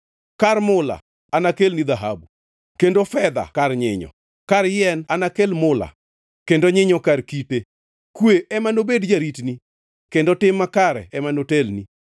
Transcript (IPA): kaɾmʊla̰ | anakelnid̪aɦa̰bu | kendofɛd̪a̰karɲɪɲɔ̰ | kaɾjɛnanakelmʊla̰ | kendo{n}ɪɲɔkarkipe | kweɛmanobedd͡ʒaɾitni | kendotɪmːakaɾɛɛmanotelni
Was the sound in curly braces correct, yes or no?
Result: no